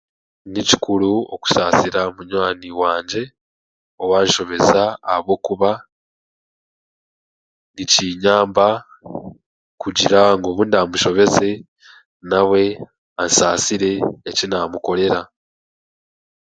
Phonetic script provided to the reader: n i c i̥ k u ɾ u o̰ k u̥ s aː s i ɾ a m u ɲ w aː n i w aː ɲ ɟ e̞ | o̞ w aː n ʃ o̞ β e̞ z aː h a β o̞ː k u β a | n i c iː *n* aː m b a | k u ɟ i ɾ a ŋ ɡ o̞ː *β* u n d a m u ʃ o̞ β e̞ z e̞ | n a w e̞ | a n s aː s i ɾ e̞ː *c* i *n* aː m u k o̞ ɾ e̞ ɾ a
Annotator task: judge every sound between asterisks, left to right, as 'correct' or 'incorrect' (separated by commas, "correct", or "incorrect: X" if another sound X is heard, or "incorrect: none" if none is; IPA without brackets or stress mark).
incorrect: ɲ, correct, correct, correct